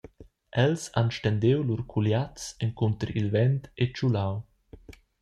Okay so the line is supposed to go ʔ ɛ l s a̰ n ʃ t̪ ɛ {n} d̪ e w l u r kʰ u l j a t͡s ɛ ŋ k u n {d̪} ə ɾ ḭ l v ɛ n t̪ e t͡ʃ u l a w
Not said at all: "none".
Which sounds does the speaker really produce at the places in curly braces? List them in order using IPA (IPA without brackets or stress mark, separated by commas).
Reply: n, t̪